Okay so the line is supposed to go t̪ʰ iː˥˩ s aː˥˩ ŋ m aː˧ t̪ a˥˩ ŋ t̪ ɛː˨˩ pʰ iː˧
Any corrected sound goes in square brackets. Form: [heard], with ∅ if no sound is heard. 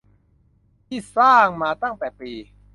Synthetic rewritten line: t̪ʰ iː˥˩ s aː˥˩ ŋ m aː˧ t̪ a˥˩ ŋ t̪ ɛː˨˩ [p] iː˧